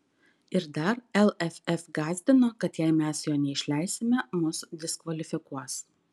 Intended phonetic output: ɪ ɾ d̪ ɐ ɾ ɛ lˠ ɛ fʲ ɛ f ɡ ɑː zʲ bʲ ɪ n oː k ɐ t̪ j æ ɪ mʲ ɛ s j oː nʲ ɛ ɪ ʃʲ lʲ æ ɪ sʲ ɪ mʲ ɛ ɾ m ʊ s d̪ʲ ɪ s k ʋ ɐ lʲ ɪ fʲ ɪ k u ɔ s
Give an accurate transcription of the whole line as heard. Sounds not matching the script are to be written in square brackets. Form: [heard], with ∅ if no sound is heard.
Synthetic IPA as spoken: ɪ ɾ d̪ ɐ ɾ ɛ lˠ ɛ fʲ ɛ f ɡ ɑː zʲ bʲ ɪ n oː k ɐ t̪ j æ ɪ mʲ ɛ s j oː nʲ ɛ ɪ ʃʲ lʲ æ ɪ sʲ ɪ mʲ ɛ [∅] m ʊ s d̪ʲ ɪ s k ʋ ɐ lʲ ɪ fʲ ɪ k u ɔ s